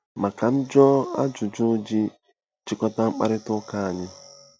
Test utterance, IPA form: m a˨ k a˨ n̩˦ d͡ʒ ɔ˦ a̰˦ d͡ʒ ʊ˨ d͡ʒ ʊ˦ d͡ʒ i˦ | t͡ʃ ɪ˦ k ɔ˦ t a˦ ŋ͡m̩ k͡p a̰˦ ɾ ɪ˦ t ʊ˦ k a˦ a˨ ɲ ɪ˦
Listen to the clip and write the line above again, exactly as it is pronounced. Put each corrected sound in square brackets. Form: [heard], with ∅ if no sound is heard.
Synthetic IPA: m a˨ k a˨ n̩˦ d͡ʒ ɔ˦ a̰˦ d͡ʒ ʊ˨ d͡ʒ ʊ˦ d͡ʒ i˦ | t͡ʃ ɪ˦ k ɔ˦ t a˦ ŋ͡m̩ k͡p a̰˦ ɾ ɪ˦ t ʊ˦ k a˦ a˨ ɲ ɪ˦